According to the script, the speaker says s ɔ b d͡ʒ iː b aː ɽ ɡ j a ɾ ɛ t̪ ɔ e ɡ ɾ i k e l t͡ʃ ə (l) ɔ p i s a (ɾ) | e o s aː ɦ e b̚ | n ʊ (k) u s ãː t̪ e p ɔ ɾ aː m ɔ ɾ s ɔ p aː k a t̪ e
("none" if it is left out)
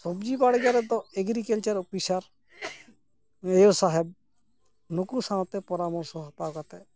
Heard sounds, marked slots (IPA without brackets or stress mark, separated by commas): ɾ, ɾ, k